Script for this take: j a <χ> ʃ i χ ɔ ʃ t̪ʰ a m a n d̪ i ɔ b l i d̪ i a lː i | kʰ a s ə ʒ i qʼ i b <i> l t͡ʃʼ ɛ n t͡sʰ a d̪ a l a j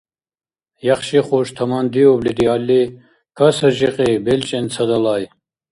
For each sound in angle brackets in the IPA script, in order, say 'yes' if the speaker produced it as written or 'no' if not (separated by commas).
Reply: yes, no